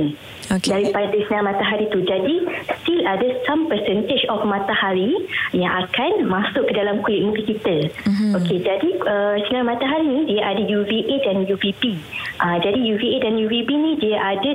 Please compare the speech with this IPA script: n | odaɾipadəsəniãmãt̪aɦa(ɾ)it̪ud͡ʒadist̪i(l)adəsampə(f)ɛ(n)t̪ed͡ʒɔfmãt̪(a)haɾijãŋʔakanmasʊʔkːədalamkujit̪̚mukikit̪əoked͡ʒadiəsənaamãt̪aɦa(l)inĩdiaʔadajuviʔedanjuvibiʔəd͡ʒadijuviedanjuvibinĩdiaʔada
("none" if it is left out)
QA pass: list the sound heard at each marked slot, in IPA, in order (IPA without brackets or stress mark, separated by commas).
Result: ɾ, l, s, n, a, ɾ